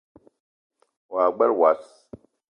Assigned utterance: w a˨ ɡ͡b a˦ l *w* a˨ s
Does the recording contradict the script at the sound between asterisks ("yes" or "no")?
no